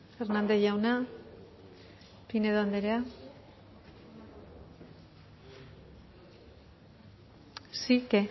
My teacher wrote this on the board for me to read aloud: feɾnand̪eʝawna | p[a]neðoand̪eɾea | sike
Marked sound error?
yes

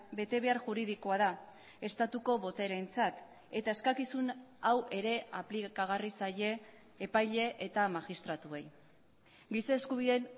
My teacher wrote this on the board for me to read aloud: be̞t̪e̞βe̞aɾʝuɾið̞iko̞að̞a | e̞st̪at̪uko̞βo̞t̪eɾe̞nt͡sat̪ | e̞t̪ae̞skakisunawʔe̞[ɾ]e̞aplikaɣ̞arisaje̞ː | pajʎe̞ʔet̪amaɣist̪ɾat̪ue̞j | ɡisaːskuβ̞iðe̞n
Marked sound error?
no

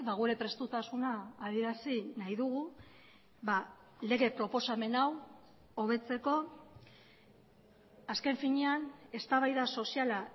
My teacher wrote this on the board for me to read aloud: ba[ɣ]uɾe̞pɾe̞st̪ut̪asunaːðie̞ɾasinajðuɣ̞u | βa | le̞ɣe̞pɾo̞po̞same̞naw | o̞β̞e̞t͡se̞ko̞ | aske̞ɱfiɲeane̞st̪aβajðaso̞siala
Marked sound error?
no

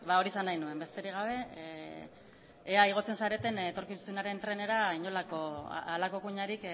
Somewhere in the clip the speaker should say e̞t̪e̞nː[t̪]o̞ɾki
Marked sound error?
no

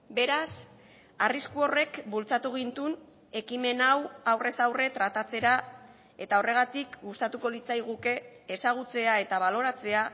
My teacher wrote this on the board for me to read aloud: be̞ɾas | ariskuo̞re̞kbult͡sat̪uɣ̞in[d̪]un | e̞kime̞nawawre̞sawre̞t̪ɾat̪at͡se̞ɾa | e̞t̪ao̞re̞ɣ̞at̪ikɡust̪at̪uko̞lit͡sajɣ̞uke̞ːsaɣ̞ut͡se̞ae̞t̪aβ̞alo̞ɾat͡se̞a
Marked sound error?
yes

